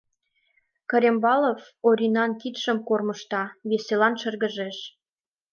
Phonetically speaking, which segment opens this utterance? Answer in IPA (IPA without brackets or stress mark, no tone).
k